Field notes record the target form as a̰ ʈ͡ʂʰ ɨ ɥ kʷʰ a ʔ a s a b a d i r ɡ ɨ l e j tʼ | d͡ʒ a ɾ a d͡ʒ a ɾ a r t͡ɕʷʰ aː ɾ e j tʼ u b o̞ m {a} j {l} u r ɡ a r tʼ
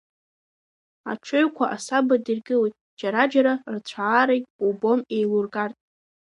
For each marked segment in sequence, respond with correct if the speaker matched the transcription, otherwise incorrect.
incorrect, correct

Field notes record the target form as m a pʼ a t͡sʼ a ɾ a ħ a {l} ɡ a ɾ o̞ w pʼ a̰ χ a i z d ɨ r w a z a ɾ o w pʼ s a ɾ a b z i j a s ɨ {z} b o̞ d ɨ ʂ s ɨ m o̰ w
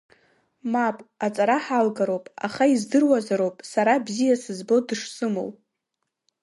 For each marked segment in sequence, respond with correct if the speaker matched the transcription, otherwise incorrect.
correct, correct

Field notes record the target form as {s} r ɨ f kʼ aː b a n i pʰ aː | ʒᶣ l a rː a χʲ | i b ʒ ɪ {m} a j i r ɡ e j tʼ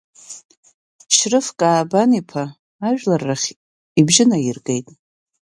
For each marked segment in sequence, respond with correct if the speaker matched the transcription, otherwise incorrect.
incorrect, incorrect

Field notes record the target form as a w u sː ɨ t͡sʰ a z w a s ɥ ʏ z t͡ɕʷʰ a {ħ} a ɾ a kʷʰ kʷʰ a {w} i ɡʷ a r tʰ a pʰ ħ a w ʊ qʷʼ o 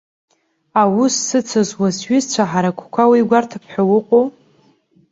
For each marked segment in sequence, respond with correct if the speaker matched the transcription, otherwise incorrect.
correct, correct

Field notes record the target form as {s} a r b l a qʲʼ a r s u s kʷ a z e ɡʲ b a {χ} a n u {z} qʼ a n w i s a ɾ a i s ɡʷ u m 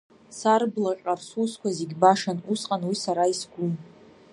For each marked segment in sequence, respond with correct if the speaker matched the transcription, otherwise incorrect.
correct, incorrect, incorrect

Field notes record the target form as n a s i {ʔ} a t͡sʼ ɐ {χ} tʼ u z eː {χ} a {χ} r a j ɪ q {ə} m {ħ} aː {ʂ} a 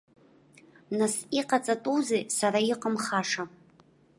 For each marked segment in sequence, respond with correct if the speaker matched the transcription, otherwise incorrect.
incorrect, incorrect, incorrect, incorrect, correct, incorrect, correct

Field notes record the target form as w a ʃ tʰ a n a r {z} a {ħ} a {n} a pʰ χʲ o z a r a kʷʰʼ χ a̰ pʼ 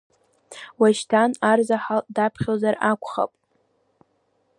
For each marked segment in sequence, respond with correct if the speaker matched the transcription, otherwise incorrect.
correct, correct, incorrect

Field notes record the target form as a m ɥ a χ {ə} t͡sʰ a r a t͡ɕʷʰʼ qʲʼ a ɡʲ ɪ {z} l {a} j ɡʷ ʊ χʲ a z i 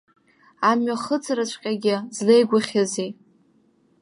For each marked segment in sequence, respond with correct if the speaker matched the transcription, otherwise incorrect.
correct, correct, incorrect

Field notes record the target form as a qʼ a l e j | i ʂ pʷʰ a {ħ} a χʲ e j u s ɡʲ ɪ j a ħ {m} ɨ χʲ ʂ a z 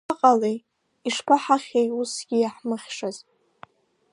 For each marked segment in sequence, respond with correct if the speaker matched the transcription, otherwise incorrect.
correct, correct

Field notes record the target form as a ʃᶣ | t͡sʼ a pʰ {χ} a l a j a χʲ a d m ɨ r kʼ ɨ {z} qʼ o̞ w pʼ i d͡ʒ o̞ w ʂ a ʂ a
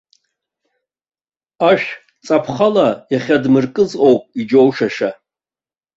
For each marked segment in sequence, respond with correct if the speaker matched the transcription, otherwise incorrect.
correct, correct

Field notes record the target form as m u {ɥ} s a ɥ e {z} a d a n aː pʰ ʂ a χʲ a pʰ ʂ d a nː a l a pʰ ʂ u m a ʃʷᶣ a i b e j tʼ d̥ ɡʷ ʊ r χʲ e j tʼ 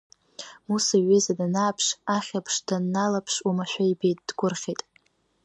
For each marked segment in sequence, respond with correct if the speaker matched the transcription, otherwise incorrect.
incorrect, correct

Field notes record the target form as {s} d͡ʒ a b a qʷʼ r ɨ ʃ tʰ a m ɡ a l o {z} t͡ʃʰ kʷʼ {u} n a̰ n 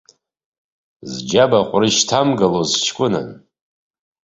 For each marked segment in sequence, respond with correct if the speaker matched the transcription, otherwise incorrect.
incorrect, correct, incorrect

